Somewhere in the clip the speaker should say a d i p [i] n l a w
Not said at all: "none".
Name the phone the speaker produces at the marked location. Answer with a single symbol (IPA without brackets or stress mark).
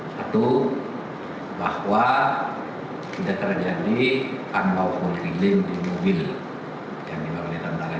a